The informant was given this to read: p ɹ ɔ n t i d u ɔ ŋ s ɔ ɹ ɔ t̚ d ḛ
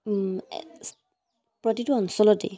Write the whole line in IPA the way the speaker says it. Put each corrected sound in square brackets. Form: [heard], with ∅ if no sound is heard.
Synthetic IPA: p ɹ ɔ [∅] t i [t] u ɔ [n] s ɔ [l] ɔ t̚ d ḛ